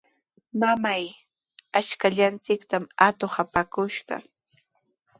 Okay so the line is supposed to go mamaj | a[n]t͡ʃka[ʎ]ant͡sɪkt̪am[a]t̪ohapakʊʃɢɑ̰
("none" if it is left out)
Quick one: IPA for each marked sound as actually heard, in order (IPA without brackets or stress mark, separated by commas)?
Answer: none, ʎ, a